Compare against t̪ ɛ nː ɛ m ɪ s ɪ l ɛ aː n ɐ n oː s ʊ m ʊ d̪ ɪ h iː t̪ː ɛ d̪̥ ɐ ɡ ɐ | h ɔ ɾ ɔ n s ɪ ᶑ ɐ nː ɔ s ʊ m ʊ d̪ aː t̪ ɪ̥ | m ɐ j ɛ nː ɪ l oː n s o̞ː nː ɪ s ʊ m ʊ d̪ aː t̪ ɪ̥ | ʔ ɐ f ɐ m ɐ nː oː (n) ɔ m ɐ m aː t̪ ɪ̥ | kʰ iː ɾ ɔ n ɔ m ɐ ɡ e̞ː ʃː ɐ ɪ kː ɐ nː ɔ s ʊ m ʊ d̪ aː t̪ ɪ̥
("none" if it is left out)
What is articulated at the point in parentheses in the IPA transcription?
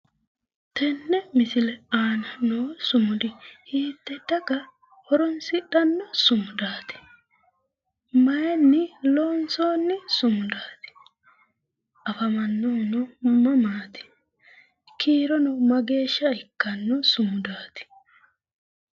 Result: n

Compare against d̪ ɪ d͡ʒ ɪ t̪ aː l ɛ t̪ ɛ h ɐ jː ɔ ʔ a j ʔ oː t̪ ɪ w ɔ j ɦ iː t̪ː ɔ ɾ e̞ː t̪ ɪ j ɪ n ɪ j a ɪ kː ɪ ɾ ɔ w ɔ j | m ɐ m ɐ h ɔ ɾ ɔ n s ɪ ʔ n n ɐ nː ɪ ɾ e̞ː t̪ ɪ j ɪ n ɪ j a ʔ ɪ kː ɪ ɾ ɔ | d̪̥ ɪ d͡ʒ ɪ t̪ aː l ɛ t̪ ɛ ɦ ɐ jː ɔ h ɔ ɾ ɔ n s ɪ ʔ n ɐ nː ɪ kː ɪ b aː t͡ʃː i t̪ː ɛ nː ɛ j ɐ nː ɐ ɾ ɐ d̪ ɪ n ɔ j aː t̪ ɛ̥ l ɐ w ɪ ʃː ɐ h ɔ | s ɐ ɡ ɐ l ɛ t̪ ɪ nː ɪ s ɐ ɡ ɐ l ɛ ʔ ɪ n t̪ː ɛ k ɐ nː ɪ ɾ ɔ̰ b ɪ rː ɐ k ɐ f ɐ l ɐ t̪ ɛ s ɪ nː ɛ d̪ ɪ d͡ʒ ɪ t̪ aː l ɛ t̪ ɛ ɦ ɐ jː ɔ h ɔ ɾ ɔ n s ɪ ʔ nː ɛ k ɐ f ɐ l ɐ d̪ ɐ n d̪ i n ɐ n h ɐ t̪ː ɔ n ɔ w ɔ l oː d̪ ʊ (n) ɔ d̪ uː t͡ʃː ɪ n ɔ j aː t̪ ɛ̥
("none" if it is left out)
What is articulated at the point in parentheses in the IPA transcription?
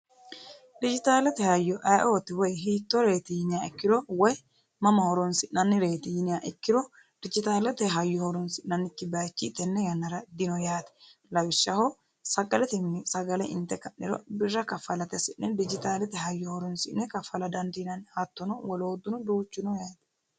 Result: n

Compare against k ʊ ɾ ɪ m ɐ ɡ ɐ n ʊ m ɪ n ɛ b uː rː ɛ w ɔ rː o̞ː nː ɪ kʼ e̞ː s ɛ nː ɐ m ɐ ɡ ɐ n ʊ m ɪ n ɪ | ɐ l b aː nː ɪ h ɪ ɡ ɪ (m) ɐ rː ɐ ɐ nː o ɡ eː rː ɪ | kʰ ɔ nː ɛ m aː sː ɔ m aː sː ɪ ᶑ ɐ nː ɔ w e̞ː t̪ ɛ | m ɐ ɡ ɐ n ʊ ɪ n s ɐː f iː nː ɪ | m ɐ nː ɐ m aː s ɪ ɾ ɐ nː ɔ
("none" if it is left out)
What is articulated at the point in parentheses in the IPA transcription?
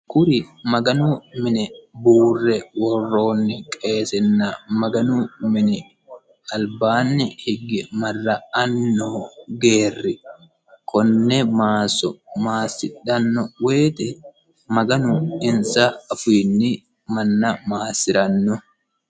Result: m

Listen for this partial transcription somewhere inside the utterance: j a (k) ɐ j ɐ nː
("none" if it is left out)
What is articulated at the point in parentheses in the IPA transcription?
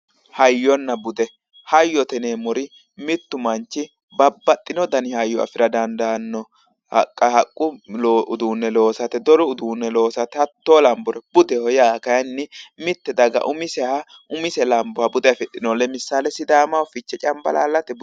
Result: k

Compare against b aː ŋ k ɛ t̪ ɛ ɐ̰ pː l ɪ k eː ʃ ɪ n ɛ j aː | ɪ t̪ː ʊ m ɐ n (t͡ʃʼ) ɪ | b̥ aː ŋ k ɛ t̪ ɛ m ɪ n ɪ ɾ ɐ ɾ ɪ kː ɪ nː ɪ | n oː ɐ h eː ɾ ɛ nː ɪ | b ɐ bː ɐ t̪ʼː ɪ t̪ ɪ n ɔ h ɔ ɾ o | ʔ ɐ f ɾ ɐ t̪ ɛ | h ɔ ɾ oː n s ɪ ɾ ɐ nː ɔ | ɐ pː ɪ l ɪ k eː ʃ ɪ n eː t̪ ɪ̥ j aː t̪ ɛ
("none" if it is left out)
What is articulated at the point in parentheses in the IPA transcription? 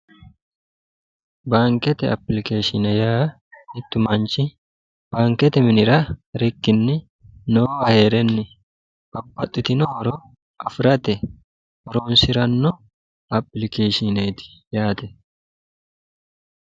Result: t͡ʃ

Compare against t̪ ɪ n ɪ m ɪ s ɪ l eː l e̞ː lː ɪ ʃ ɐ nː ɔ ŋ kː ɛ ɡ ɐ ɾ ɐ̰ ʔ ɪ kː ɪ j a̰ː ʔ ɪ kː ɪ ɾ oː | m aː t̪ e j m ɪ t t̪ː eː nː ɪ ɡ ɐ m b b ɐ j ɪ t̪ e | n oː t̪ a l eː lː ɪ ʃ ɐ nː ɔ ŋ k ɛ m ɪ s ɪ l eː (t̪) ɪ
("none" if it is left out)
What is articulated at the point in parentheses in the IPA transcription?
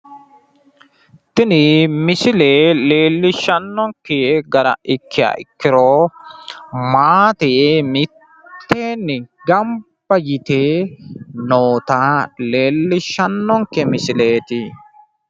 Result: t̪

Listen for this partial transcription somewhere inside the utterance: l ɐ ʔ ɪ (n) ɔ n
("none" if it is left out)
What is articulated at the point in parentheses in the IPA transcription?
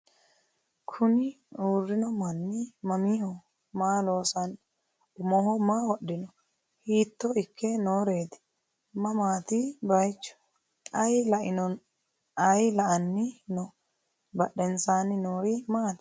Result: n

